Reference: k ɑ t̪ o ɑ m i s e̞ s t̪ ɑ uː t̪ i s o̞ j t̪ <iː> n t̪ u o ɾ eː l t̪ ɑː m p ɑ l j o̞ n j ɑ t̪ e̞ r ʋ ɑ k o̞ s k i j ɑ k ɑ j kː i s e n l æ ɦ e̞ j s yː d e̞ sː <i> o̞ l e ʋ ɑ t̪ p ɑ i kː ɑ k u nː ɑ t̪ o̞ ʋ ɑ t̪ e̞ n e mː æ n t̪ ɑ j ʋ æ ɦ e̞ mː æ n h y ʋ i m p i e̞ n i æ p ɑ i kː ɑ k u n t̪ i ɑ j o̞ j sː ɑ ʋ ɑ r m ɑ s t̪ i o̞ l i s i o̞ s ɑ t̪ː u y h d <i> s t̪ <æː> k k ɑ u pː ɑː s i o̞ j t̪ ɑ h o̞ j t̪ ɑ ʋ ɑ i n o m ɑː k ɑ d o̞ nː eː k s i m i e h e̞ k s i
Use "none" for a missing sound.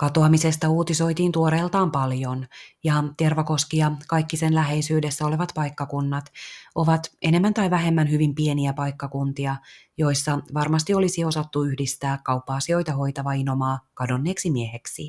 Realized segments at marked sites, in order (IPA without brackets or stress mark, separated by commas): iː, æ, i, æː